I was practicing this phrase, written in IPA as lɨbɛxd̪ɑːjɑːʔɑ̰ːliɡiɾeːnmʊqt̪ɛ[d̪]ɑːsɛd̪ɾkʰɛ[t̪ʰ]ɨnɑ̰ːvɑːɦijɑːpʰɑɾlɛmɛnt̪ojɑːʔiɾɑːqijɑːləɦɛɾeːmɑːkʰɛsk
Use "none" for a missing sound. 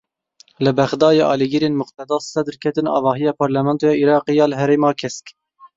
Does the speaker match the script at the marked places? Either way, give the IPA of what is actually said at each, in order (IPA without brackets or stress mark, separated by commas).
d̪, t̪